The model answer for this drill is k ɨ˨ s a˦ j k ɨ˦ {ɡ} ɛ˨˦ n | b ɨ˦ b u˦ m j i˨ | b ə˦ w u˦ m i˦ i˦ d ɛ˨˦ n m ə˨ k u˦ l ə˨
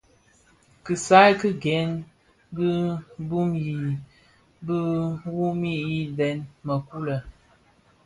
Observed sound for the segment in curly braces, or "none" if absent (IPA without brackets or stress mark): ɡ